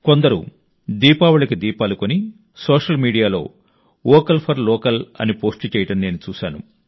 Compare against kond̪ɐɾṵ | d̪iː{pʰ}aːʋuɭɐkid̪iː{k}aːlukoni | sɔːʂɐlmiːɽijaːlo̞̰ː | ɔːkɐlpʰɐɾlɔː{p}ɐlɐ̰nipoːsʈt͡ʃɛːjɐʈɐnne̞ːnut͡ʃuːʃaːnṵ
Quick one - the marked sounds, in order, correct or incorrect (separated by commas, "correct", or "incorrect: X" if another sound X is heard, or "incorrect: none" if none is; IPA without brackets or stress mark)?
incorrect: p, incorrect: p, incorrect: k